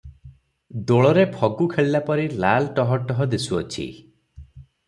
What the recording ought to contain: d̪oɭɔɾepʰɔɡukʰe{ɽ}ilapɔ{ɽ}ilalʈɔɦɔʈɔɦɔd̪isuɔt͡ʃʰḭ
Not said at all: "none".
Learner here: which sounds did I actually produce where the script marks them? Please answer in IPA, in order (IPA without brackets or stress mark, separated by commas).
ɭ, ɾ